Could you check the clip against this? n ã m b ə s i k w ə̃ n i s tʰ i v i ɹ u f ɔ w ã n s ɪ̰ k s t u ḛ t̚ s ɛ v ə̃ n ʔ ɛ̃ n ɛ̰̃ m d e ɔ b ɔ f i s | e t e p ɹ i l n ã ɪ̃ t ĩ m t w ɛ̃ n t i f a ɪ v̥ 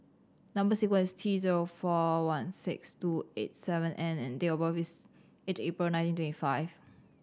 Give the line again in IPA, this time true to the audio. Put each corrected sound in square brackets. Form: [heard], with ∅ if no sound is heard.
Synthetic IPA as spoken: n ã m b ə s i k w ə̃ n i s tʰ i [z] i ɹ [o] f ɔ w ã n s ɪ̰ k s t u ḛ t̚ s ɛ v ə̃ n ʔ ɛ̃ n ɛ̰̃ [n] d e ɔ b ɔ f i s | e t e p ɹ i l n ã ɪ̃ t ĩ [n] t w ɛ̃ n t i f a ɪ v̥

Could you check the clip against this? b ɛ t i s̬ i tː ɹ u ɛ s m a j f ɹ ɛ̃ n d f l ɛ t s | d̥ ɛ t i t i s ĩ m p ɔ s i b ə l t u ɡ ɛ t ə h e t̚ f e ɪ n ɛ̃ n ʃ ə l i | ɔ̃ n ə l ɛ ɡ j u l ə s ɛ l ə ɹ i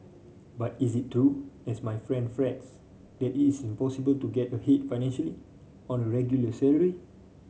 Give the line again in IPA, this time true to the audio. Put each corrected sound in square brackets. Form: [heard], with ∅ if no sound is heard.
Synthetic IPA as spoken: b [a] t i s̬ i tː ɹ u ɛ s m a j f ɹ ɛ̃ n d f [ɹ] ɛ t s | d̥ ɛ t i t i s ĩ m p ɔ s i b ə l t u ɡ ɛ t ə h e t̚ f [a] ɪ n ɛ̃ n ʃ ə l i | ɔ̃ n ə [ɹ] ɛ ɡ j u l ə s ɛ l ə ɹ i

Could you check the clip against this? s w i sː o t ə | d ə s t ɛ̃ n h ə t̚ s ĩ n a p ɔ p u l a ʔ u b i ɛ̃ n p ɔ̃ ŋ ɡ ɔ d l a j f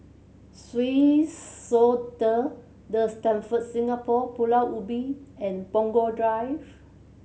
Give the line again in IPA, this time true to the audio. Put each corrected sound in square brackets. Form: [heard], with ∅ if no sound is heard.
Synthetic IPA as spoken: s w i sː o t ə | d ə s t ɛ̃ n [f] ə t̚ s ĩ [ŋ] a p ɔ p u l a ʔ u b i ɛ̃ n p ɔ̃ ŋ ɡ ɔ d [ɹ] a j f

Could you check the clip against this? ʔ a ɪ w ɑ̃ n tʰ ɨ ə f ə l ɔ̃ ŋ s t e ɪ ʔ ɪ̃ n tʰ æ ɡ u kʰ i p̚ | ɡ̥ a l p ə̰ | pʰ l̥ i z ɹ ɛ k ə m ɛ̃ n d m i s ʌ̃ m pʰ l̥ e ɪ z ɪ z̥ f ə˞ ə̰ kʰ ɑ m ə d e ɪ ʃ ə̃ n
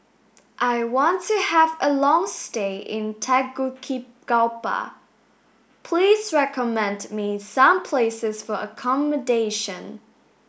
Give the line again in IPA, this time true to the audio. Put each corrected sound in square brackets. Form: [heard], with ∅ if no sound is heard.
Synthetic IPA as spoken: ʔ a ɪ w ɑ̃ n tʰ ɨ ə [v] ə l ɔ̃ ŋ s t e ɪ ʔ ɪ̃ n tʰ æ ɡ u kʰ i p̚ | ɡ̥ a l p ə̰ | pʰ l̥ i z ɹ ɛ k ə m ɛ̃ n d m i s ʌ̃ m pʰ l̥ e ɪ [s] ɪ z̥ f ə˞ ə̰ kʰ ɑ m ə d e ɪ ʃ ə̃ n

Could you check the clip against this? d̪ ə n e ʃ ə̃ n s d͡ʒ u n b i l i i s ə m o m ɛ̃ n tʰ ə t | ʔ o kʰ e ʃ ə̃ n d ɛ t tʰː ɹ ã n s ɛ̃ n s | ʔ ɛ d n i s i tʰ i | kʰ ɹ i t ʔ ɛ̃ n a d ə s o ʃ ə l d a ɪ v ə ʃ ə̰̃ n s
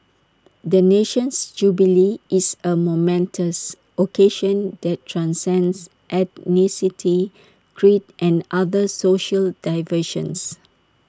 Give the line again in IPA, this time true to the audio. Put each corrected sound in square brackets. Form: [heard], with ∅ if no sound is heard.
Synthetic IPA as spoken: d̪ ə n e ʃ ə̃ n s d͡ʒ u [∅] b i l i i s ə m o m ɛ̃ n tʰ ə [s] | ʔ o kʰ e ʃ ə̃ n d ɛ t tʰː ɹ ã n s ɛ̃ n s | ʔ ɛ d n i s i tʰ i | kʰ ɹ i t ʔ ɛ̃ n a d ə s o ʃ ə l d a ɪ v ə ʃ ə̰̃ n s

